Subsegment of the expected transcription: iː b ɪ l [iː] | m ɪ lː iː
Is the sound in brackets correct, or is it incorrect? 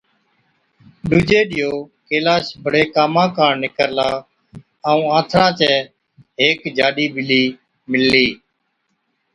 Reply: correct